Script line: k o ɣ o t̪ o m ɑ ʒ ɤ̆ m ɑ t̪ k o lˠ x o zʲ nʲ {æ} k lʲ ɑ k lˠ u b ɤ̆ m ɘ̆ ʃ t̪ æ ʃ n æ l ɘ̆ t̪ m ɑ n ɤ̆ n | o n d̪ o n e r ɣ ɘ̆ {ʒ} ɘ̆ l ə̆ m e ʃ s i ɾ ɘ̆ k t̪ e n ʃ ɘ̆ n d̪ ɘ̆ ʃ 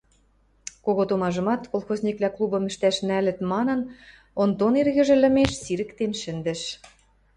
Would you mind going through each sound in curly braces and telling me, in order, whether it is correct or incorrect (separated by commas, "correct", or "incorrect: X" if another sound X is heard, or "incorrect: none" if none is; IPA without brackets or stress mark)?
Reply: incorrect: i, correct